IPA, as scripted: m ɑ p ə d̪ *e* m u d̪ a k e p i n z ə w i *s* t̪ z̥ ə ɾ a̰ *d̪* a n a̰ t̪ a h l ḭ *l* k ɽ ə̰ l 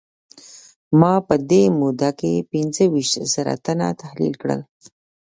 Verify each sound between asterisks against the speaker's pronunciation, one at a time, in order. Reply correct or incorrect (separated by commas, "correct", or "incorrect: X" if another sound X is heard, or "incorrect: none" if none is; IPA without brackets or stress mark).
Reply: correct, incorrect: ʃ, incorrect: t̪, correct